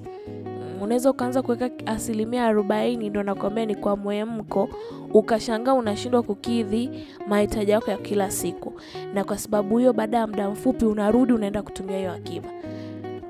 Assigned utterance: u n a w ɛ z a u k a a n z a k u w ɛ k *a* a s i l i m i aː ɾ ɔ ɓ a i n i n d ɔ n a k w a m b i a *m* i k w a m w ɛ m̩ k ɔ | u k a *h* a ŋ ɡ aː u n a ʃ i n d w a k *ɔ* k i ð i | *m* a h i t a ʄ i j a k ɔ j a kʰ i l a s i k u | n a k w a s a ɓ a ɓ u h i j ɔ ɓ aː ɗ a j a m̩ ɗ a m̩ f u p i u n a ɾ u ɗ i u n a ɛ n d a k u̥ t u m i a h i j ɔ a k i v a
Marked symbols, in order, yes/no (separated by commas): yes, no, no, no, yes